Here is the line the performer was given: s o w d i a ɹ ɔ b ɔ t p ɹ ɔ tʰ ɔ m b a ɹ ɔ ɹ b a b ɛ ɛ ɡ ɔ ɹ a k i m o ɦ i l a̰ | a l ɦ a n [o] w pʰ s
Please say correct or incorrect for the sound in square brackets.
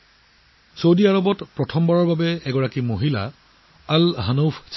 correct